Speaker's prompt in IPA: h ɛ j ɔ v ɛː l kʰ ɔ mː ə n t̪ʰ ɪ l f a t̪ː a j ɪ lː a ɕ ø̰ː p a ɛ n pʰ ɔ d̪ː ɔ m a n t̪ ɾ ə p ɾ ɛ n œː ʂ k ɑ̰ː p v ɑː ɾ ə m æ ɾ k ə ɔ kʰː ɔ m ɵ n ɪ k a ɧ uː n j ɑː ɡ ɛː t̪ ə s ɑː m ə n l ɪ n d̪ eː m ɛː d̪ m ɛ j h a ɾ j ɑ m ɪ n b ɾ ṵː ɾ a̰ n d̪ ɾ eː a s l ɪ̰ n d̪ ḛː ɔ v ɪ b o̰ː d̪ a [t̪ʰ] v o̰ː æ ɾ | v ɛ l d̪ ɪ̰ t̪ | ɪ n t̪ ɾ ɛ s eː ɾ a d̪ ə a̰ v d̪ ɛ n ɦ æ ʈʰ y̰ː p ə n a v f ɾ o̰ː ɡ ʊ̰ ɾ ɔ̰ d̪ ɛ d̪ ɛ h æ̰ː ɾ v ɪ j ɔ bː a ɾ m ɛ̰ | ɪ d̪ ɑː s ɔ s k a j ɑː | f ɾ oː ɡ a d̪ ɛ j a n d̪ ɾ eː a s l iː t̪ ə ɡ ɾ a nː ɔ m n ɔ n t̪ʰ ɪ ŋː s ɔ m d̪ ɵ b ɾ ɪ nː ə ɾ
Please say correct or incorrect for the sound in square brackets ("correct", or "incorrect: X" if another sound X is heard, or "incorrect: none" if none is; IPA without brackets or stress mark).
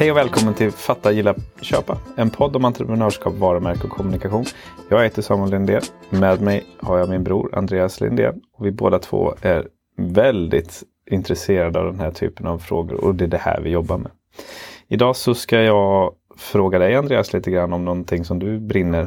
correct